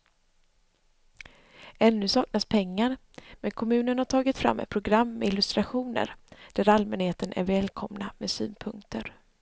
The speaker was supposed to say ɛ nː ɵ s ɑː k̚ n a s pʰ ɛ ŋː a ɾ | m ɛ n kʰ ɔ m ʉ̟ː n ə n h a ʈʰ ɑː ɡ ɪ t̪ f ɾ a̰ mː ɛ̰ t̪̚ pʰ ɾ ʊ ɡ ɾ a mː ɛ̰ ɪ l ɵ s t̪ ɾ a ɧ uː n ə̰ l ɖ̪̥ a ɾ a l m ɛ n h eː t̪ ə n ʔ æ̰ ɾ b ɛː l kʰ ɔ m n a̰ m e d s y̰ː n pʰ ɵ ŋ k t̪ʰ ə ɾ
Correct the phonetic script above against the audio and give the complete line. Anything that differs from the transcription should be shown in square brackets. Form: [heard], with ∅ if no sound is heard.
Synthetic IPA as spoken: ɛ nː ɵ s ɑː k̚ n a s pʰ ɛ ŋː a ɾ | m ɛ n kʰ ɔ m ʉ̟ː n ə n h a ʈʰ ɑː ɡ ɪ t̪ f ɾ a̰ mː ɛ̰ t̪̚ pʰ ɾ ʊ ɡ ɾ a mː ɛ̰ ɪ l ɵ s t̪ ɾ a ɧ uː n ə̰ [ɾ] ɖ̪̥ [æ] ɾ a l m ɛ n h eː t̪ ə n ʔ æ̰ ɾ [v] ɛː l kʰ ɔ m n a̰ m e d s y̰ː n pʰ ɵ ŋ k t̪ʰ ə ɾ